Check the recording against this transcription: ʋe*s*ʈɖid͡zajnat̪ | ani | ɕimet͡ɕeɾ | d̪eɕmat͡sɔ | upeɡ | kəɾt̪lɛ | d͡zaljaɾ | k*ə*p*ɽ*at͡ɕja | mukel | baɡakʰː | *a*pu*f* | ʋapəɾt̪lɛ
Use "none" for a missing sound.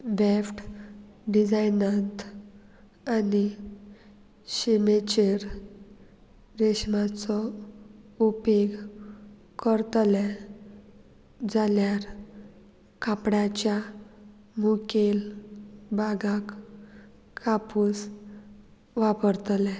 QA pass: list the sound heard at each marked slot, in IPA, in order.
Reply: f, a, ɽ, a, s

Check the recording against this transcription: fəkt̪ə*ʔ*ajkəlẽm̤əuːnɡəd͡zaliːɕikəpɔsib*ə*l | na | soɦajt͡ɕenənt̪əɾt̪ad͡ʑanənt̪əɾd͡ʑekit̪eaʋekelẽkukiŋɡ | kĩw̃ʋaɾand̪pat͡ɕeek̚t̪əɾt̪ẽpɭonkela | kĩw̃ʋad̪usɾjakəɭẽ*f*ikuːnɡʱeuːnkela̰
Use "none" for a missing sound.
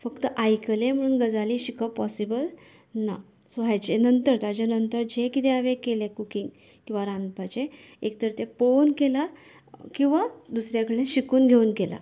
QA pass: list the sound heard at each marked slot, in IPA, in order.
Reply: ʔ, ə, ɕ

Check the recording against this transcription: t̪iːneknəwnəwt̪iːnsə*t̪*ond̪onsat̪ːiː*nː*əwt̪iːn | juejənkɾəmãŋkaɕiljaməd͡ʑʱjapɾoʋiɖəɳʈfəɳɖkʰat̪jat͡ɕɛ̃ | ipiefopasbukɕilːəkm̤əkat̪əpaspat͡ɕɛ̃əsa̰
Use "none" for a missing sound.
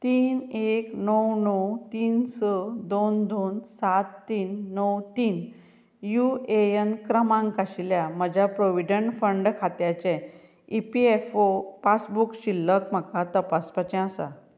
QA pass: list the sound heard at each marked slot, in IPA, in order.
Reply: d̪, nː

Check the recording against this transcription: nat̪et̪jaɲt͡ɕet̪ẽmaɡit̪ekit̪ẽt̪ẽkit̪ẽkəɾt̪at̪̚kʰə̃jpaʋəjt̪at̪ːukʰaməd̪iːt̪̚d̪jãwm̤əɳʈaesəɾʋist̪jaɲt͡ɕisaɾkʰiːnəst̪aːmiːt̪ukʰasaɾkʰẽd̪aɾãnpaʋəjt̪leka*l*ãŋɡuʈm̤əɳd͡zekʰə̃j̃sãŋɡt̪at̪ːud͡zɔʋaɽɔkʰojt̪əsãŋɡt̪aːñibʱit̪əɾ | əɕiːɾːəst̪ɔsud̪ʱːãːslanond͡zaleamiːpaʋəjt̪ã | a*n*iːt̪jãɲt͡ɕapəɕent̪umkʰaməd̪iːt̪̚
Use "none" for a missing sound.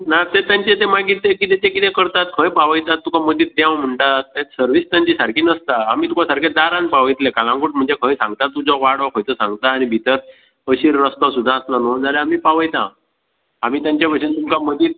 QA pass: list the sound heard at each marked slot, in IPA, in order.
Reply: l, m

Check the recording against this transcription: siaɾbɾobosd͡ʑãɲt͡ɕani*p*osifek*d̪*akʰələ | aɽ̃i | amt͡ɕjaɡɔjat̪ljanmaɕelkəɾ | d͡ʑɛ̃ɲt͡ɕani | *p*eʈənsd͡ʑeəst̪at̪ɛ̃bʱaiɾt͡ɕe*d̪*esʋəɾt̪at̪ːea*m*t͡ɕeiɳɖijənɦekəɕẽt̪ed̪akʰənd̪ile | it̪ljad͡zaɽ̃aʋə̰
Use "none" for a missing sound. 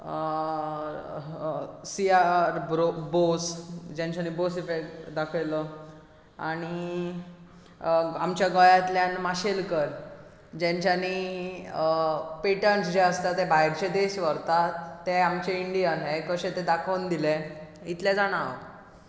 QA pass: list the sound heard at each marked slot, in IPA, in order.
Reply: b, d̪, p, d̪, m

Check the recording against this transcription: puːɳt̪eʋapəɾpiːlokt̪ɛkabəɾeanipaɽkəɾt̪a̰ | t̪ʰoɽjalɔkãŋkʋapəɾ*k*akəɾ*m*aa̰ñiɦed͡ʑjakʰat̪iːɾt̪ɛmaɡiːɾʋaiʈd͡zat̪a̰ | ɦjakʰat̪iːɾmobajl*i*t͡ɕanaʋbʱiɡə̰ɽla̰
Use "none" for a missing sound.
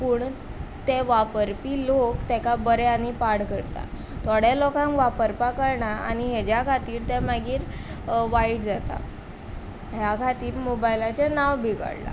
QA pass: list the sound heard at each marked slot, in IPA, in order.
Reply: p, ɳ, a

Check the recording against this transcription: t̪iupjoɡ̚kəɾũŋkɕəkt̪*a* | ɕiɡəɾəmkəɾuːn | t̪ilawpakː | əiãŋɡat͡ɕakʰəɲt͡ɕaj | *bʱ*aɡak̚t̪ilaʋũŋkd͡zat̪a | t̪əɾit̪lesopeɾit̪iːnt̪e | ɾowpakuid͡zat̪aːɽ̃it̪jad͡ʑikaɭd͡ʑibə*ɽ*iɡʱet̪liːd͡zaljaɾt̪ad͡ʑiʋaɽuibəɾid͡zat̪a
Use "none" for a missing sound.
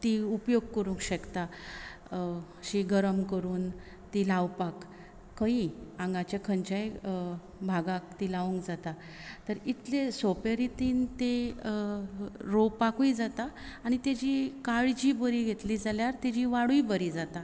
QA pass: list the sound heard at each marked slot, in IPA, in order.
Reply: a, bʱ, ɾ

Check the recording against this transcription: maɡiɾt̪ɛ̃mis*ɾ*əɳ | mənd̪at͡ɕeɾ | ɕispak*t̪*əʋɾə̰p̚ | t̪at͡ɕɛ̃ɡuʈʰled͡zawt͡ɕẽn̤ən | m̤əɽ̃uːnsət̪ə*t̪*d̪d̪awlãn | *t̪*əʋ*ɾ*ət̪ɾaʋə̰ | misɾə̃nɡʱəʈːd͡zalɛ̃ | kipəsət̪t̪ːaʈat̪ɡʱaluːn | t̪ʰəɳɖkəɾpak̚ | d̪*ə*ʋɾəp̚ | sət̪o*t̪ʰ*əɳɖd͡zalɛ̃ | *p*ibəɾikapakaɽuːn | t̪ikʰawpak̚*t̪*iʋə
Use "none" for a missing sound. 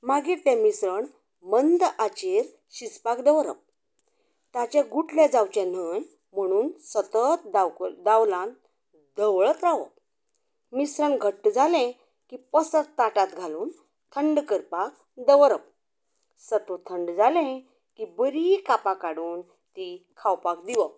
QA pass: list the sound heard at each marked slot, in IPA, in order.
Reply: ɾ, d̪, t̪, d̪, ɭ, ə, t̪ʰ, k, d̪

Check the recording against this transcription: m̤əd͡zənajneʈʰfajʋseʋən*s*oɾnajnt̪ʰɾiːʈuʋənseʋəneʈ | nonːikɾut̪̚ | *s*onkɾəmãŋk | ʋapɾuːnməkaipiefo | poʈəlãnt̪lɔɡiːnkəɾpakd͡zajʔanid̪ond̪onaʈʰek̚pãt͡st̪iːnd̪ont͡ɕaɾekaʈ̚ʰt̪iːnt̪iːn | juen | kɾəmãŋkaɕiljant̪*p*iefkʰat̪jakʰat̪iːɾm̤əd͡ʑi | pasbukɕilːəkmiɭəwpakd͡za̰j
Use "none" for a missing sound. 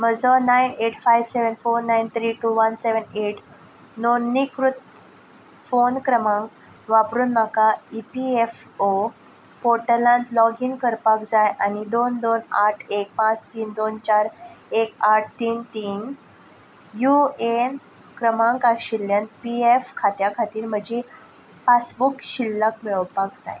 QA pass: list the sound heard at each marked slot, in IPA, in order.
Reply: f, f, p

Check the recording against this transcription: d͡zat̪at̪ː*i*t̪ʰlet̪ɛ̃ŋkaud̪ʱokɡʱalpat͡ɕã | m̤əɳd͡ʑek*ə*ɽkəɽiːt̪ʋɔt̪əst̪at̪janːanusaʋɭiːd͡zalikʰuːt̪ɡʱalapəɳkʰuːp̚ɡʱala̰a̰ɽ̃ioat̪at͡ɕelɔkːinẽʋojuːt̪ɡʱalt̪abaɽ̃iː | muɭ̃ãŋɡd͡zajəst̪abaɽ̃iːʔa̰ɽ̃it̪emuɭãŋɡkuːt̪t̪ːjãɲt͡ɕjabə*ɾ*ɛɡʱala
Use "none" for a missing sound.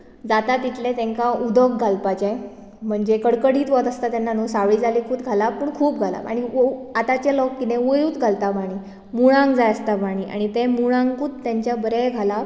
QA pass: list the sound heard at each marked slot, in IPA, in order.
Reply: i, ə, ɾ

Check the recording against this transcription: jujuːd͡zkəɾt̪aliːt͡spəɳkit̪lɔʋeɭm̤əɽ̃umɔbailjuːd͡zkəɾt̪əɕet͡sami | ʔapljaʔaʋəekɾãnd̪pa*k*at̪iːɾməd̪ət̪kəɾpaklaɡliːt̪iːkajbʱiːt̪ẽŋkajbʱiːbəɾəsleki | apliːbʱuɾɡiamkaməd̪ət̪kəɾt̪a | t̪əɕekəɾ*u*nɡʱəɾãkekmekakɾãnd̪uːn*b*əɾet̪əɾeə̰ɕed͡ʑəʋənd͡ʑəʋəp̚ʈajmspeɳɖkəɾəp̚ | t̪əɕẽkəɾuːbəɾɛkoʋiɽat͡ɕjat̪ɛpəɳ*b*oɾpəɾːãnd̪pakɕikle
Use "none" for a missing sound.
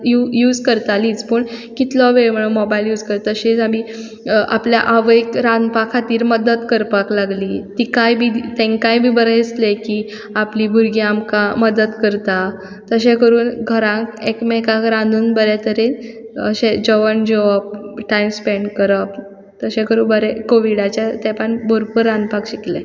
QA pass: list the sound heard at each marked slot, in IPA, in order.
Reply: kʰ, uː, b, b

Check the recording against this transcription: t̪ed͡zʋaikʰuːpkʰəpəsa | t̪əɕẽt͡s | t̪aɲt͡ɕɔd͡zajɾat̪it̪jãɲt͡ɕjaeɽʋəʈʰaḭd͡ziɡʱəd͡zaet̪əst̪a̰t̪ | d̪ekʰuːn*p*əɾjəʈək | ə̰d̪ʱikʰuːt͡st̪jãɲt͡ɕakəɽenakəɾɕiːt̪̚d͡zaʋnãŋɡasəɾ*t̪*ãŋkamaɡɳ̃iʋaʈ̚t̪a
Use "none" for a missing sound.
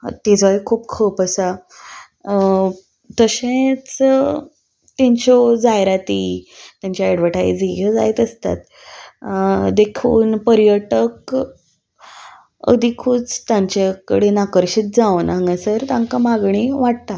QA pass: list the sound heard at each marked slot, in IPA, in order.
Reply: p, t̪

